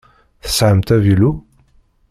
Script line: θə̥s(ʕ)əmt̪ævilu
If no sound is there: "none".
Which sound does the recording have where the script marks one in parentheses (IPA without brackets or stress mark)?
ʕ